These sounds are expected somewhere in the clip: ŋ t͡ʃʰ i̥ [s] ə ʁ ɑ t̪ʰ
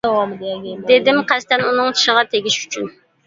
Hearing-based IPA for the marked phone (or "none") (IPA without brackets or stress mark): ʃ